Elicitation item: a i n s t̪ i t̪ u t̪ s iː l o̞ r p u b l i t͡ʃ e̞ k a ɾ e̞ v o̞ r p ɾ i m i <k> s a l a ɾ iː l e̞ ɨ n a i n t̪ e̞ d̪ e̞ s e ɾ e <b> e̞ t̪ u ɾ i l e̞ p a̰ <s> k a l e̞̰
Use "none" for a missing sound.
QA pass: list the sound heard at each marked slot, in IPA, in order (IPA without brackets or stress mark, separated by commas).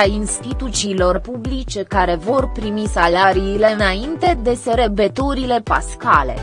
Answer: none, b, s